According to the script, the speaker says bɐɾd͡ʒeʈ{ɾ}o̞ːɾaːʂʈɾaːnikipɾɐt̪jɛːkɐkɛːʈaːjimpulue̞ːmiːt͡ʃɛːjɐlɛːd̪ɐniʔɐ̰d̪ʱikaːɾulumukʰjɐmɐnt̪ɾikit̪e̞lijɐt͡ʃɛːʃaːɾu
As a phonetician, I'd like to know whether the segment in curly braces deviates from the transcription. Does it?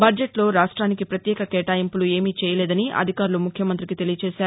yes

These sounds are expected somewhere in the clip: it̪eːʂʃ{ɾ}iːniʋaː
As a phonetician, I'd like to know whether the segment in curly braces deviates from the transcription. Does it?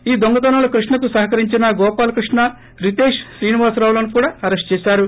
no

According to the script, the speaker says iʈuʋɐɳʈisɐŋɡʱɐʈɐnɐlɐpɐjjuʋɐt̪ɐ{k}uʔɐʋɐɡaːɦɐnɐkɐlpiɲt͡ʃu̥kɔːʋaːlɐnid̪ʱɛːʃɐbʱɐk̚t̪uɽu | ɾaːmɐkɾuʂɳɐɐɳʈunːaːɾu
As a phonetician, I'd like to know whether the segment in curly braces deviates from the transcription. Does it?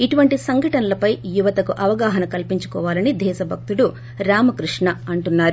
no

